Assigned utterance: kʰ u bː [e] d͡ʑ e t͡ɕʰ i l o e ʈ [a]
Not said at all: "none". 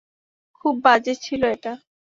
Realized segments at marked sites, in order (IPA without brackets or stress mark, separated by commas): a, a